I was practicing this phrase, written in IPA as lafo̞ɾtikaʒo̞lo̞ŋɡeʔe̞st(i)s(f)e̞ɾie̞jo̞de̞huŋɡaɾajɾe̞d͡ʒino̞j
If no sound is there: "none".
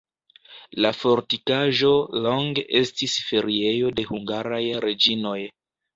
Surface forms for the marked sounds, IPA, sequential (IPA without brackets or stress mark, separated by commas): i, f